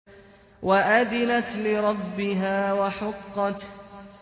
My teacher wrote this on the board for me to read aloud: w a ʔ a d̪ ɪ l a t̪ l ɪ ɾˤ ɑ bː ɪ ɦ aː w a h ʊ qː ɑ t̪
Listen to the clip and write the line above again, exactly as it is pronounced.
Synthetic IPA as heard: w a ʔ a d̪ ɪ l a t̪ l ɪ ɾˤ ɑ bː ɪ ɦ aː w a ħ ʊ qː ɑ t̪